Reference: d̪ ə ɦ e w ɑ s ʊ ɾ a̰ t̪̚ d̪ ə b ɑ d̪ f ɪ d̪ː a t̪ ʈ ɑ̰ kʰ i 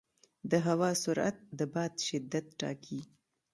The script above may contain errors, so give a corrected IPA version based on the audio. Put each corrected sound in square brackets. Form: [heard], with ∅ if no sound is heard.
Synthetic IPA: d̪ ə ɦ [a] w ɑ s ʊ ɾ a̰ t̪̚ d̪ ə b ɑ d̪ [ʃ] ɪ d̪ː a t̪ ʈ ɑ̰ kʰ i